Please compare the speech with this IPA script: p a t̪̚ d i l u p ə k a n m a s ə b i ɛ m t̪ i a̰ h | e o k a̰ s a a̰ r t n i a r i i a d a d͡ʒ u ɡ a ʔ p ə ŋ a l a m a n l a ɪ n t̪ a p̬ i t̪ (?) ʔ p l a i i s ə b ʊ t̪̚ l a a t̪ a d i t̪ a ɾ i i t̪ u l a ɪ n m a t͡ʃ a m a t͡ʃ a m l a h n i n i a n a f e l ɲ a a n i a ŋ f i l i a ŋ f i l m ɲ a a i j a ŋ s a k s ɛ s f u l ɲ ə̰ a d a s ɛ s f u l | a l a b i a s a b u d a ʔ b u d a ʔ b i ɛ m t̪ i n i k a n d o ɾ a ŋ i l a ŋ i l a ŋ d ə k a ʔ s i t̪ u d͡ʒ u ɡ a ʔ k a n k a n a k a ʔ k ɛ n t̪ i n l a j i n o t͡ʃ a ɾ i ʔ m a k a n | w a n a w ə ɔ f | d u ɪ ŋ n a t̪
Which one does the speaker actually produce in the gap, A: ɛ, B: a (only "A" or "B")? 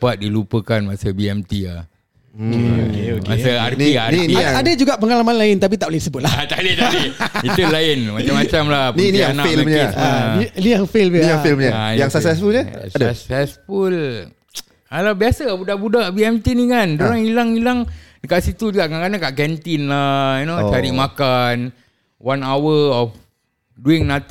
B